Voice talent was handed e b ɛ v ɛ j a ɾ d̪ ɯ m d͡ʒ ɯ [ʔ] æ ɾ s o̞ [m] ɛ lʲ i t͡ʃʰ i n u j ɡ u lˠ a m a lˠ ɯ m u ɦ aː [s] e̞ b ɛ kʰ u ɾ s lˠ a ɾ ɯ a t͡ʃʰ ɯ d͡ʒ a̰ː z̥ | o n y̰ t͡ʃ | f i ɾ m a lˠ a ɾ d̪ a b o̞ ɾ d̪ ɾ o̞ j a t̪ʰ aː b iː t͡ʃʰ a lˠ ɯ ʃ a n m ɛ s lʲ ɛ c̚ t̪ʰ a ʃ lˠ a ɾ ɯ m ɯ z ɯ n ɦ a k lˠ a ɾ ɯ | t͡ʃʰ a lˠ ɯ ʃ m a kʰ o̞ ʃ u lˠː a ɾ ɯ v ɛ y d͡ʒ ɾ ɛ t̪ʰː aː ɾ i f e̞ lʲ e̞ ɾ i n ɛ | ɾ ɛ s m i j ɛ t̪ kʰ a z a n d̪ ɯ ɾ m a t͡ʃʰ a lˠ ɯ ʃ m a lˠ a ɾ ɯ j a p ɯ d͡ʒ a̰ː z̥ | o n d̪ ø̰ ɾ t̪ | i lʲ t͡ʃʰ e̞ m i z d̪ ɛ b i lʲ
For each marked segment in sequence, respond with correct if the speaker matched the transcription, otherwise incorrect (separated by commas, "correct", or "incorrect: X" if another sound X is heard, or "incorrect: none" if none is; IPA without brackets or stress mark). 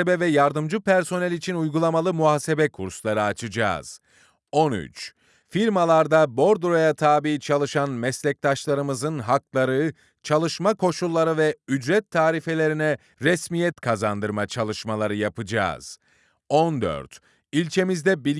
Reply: incorrect: p, incorrect: n, correct